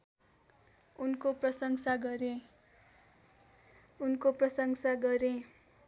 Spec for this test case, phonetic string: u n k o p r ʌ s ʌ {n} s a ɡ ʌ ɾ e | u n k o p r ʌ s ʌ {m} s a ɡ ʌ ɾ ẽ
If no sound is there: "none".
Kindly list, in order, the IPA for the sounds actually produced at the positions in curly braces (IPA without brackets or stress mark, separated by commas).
ŋ, ŋ